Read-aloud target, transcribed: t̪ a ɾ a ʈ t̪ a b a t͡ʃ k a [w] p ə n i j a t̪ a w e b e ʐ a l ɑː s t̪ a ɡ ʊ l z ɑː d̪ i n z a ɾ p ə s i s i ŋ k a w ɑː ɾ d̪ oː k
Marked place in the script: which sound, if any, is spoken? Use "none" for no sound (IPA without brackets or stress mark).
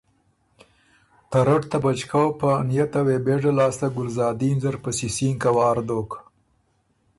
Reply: w